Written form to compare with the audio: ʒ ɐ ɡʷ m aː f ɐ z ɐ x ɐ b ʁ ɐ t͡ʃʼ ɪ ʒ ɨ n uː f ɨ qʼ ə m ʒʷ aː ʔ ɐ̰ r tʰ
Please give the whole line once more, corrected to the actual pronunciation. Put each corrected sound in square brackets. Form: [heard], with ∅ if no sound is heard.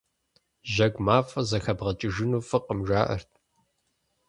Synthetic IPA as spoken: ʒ ɐ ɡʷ m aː f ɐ z ɐ x ɐ b ʁ ɐ t͡ʃʼ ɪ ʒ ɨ n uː f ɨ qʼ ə m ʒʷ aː ʔ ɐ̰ r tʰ